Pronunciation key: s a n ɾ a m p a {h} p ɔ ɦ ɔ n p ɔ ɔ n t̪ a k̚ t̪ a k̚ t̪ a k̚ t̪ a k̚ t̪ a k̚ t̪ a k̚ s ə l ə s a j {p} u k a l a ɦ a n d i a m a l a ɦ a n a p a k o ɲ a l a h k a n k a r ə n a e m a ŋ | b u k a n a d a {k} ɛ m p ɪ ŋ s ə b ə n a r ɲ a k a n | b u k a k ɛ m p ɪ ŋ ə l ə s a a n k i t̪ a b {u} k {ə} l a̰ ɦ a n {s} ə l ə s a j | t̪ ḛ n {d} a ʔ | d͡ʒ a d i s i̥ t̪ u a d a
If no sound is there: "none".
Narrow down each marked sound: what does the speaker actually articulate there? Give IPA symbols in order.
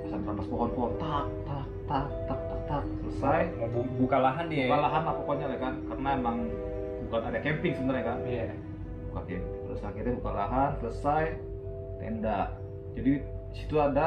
s, b, k, u, a, s, d

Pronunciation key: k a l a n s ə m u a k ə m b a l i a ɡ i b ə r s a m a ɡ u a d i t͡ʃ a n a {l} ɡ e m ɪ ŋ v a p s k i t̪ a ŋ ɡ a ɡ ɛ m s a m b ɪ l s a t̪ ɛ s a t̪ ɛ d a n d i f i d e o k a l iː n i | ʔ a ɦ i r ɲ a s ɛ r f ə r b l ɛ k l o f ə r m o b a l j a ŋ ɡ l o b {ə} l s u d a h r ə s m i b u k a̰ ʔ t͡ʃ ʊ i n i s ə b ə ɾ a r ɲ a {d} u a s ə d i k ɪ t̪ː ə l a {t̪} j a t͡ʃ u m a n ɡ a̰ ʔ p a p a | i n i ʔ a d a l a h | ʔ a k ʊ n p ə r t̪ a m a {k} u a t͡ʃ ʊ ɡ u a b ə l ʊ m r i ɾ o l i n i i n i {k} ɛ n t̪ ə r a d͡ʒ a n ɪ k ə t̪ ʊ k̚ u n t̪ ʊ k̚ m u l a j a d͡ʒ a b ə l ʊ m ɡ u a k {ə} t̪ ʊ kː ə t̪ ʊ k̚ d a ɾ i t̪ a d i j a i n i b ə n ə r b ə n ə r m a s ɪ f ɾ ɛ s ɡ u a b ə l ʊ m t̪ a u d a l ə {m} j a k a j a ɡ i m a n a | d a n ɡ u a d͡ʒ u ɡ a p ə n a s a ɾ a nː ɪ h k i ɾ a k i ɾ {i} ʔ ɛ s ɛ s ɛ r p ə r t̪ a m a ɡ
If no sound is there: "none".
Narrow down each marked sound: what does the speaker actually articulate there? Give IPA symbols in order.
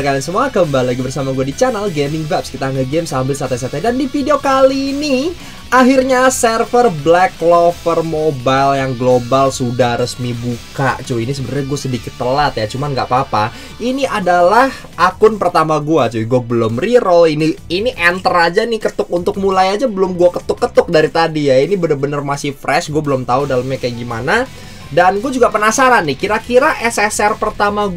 l, a, ɡ, t̪, ɡ, ʔ, ə, m, a

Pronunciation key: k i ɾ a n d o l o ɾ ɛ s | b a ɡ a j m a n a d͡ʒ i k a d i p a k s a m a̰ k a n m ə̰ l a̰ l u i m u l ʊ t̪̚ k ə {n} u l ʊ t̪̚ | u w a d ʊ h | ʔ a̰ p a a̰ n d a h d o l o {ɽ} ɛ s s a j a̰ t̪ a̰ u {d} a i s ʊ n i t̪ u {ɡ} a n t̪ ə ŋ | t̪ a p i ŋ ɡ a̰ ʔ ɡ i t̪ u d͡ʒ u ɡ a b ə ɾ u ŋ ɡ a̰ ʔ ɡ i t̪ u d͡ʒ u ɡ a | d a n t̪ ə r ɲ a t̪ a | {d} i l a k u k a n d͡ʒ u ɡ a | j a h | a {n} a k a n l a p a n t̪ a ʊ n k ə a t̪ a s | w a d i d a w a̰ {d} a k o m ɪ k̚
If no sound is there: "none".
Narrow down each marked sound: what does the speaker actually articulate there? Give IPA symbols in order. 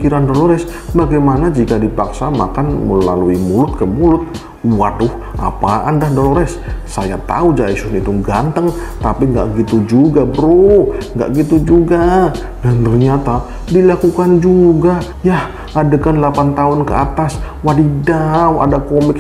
m, ɾ, d͡ʒ, ɡ, d, d, d

